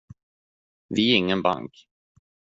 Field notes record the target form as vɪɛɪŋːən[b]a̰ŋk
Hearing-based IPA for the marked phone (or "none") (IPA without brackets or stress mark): b